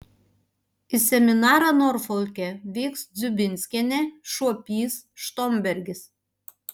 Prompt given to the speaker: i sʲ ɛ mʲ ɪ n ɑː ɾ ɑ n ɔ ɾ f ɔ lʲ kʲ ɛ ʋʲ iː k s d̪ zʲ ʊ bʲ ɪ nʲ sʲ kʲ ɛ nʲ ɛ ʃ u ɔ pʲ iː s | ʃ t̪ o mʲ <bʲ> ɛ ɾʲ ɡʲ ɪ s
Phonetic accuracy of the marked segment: correct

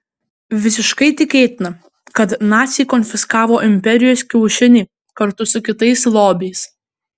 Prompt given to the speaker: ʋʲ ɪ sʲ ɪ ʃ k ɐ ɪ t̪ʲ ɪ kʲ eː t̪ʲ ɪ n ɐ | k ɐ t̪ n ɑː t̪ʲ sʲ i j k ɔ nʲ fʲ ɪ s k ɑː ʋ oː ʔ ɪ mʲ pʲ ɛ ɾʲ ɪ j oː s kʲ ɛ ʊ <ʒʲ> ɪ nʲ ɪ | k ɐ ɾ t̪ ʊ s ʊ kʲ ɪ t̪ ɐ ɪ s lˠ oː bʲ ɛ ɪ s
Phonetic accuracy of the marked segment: incorrect: ʃʲ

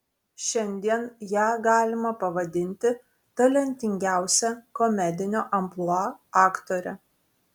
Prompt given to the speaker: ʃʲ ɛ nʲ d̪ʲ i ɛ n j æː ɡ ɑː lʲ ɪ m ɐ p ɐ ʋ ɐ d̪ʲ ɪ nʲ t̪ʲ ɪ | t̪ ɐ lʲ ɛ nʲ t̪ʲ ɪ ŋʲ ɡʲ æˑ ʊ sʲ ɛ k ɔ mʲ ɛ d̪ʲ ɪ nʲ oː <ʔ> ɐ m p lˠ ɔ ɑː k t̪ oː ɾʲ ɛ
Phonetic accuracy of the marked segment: correct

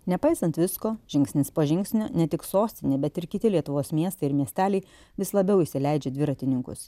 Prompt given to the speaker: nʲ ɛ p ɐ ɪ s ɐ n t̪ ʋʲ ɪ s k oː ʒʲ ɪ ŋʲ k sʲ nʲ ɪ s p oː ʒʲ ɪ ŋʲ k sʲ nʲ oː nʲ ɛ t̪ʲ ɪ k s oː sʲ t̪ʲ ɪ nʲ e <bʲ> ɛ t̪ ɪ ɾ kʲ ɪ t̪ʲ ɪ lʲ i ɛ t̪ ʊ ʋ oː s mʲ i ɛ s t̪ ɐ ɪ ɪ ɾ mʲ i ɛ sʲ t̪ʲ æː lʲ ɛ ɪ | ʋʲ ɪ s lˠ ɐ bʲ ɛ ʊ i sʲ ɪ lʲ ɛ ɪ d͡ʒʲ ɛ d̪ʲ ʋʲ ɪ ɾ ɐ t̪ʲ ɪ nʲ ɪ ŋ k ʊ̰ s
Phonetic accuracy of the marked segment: correct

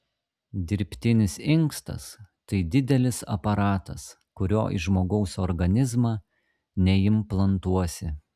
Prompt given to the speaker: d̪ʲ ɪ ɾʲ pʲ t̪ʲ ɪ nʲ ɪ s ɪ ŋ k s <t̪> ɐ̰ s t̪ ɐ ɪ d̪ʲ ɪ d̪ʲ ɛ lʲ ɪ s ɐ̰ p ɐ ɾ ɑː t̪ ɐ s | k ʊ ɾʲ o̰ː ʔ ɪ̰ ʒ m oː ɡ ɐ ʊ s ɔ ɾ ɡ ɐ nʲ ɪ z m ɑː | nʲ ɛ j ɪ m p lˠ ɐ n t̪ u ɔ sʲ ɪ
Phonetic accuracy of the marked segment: correct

